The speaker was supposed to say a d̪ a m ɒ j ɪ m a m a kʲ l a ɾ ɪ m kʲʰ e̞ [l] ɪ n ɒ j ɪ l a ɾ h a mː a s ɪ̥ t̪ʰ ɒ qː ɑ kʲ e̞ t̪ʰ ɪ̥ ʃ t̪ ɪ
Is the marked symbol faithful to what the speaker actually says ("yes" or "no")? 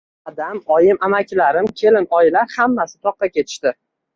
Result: yes